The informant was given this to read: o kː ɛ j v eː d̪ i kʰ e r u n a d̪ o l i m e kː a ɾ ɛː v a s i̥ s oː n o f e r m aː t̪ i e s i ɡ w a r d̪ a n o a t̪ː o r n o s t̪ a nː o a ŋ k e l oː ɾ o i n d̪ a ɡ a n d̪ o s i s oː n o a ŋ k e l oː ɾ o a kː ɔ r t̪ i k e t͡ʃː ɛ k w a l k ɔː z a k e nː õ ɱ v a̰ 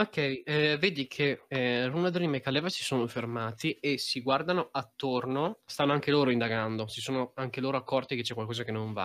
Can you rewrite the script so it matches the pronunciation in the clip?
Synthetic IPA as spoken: o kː ɛ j v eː d̪ i kʰ e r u n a d̪ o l i m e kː a l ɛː v a s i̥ s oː n o f e r m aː t̪ i e s i ɡ w a r d̪ a n o a t̪ː o r n o s t̪ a nː o a ŋ k e l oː ɾ o i n d̪ a ɡ a n d̪ o s i s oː n o a ŋ k e l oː ɾ o a kː ɔ r t̪ i k e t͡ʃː ɛ k w a l k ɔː z a k e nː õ ɱ v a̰